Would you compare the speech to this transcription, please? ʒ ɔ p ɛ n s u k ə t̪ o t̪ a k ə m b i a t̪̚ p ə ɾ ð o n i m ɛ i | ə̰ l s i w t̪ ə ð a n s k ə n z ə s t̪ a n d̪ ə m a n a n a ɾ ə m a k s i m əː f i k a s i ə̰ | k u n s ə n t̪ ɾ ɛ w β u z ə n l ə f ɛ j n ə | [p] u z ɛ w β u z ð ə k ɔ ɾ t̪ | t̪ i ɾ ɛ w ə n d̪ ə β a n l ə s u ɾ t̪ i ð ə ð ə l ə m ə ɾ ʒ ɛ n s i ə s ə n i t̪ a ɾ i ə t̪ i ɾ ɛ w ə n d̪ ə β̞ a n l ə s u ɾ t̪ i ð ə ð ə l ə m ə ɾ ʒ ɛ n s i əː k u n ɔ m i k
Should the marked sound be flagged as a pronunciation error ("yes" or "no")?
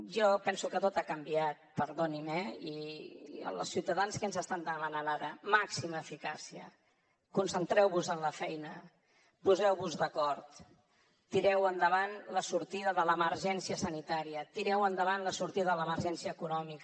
no